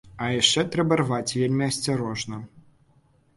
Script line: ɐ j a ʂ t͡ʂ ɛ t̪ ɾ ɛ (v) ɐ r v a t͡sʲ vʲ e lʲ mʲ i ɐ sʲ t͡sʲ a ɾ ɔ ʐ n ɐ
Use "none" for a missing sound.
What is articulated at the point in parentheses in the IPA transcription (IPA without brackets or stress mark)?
b